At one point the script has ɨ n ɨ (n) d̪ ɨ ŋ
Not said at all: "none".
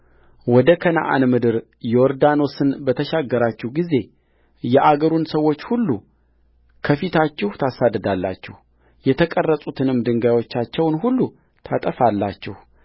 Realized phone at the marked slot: m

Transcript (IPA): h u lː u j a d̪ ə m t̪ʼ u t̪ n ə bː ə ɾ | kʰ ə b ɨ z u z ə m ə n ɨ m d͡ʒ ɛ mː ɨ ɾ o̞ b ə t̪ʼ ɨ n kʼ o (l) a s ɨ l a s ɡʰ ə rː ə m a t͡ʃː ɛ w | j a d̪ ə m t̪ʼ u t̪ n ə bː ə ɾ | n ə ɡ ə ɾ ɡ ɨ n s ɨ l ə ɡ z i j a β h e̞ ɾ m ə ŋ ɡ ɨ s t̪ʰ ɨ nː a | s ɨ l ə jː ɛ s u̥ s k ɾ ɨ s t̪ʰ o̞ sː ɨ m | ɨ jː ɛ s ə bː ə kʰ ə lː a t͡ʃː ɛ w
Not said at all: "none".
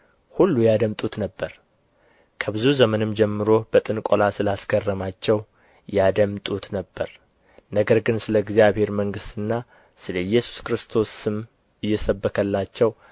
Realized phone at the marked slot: l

